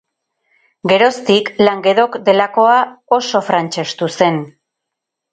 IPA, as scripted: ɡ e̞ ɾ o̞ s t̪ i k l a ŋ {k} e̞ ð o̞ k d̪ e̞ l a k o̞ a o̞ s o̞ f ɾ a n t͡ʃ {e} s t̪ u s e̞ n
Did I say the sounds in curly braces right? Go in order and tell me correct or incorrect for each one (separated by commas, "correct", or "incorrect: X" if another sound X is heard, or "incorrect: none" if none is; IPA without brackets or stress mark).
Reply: incorrect: ɡ, correct